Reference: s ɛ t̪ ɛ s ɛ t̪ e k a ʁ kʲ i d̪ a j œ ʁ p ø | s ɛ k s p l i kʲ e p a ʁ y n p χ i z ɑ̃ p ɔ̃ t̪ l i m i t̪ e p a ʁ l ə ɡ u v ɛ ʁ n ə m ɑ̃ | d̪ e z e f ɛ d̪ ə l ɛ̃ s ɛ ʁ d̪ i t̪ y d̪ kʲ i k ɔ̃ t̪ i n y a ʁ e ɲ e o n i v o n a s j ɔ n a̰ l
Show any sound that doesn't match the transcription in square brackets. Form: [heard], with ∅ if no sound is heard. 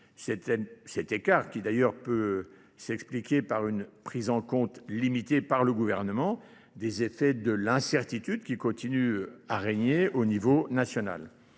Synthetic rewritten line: s ɛ t̪ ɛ s ɛ t̪ e k a ʁ kʲ i d̪ a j œ ʁ p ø | s ɛ k s p l i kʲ e p a ʁ y n p χ i z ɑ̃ [k] ɔ̃ t̪ l i m i t̪ e p a ʁ l ə ɡ u v ɛ ʁ n ə m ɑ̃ | d̪ e z e f ɛ d̪ ə l ɛ̃ s ɛ ʁ [t̪] i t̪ y d̪ kʲ i k ɔ̃ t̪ i n y a ʁ e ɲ e o n i v o n a s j ɔ n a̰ l